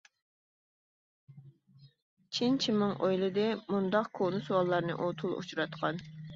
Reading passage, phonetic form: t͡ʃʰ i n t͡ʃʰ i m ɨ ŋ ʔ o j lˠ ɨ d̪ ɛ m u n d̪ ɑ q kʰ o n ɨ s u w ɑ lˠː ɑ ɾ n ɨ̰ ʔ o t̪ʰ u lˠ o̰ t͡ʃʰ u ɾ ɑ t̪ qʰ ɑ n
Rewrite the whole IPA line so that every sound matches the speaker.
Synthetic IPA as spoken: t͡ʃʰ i n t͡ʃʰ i m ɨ ŋ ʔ o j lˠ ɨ d̪ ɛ m u n d̪ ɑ q kʰ o n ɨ s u w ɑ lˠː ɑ ɾ n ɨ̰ ʔ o t̪ʰ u lˠ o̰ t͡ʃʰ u ɾ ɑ t̪ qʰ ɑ n